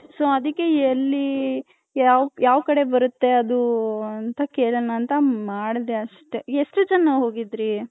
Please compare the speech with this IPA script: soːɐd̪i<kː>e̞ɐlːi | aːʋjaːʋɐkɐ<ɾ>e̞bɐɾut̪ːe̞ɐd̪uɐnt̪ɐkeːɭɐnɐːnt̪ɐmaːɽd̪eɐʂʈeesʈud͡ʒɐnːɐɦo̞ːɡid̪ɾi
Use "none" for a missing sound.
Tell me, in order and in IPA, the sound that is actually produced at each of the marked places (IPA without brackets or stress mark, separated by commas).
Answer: kː, ɽ